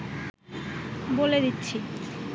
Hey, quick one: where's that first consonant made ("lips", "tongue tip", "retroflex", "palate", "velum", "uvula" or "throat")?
lips